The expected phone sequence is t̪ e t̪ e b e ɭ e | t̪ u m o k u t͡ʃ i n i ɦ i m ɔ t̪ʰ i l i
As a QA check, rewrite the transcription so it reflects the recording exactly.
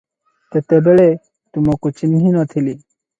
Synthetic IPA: t̪ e t̪ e b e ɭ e | t̪ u m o k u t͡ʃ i n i ɦ i n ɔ t̪ʰ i l i